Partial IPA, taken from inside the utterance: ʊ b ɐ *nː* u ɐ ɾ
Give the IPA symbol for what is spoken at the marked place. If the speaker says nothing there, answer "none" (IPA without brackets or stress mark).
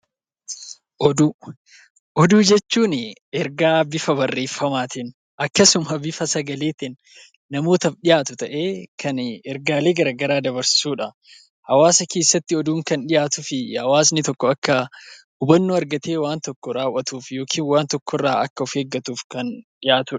nː